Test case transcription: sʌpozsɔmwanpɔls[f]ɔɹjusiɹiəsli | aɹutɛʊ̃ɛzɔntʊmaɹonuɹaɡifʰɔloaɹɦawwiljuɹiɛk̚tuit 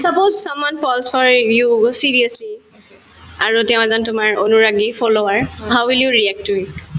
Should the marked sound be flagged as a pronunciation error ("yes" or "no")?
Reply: no